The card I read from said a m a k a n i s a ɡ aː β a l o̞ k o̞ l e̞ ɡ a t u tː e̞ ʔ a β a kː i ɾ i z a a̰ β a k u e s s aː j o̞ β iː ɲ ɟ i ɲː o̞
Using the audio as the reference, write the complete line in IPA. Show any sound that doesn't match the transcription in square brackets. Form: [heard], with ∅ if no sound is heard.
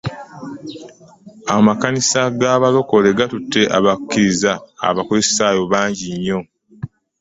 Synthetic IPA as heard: a m a k a n i s a ɡ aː β a l o̞ k o̞ l e̞ ɡ a t u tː e̞ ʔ a β a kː i ɾ i z a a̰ β a k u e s s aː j o̞ β [aː] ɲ ɟ i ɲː o̞